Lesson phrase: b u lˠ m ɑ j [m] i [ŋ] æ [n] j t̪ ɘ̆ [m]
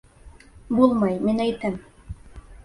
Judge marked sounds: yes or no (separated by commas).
yes, no, no, yes